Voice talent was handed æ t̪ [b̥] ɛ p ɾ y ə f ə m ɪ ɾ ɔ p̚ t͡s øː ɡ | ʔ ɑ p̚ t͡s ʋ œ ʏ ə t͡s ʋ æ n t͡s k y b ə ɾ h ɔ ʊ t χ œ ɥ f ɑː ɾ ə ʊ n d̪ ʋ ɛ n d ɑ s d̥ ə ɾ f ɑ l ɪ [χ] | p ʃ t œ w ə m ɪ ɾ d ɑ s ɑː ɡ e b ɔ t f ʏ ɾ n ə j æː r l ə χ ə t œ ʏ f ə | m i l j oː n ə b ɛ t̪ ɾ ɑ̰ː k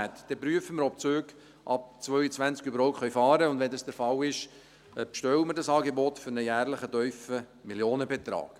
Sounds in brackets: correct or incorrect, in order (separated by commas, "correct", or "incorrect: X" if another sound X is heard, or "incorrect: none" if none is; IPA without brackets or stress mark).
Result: incorrect: d̥, incorrect: ʃ